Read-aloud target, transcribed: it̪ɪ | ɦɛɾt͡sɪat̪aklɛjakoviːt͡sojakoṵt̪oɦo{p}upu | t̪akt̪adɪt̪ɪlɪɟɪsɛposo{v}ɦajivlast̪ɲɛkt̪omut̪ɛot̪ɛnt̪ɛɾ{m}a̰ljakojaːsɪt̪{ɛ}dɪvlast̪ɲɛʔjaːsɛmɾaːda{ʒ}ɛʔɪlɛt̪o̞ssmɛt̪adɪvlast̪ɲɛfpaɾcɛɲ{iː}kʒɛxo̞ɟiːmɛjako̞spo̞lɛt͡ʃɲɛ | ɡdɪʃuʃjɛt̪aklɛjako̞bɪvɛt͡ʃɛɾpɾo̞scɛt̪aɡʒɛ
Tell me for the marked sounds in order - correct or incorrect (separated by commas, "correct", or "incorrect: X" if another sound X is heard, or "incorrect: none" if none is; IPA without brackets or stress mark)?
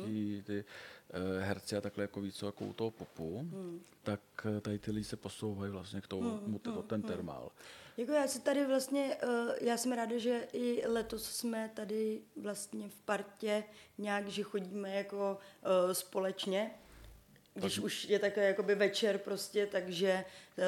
correct, incorrect: w, correct, incorrect: a, correct, incorrect: aː